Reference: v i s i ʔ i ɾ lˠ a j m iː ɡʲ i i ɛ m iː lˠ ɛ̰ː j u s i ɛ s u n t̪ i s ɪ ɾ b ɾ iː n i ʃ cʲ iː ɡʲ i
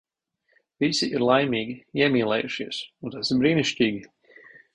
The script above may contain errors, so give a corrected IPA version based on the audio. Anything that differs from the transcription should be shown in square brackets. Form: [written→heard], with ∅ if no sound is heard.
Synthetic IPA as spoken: v i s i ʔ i ɾ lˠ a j m iː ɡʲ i i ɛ m iː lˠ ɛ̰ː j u [s→ʃ] i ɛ s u n t̪ [i→a] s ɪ ɾ b ɾ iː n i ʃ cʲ iː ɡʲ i